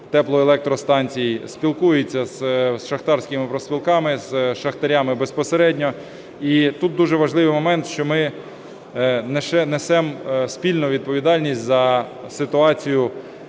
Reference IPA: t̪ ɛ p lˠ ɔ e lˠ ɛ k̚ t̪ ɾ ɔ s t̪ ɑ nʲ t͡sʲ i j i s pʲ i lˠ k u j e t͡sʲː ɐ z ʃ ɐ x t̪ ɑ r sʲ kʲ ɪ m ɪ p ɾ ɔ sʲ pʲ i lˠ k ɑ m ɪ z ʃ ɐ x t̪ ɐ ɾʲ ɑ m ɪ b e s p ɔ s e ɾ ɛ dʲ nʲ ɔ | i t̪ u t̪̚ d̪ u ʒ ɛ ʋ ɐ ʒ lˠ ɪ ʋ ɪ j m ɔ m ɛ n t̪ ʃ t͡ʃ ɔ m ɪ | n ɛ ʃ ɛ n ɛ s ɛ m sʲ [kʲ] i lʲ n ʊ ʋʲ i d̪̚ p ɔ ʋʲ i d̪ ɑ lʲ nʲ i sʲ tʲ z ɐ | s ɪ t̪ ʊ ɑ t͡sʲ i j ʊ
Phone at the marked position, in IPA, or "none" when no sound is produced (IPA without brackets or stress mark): pʲ